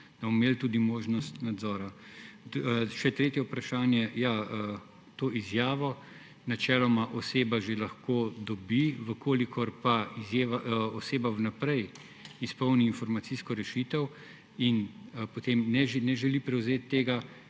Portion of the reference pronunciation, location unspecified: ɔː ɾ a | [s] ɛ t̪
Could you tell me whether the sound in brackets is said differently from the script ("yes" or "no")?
yes